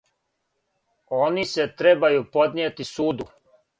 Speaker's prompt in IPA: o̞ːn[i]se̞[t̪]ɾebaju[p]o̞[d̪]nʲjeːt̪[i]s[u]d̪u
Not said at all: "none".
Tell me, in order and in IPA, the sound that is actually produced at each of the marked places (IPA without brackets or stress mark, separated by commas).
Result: i, t̪, p, d̪, i, uː